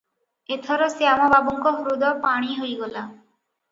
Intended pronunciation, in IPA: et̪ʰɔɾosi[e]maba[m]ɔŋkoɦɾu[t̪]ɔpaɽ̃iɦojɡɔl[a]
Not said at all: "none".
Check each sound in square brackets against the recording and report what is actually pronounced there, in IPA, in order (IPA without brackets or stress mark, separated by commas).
a, b, d̪, a